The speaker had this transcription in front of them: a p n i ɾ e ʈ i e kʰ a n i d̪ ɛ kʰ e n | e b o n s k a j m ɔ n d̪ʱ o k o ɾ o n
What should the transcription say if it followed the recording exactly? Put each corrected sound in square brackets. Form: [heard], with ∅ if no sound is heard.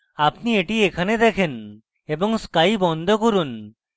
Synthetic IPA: a p n i [∅] e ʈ i e kʰ a n [e] d̪ ɛ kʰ e n | e b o [ŋ] s k a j [b] ɔ n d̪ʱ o k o ɾ [u] n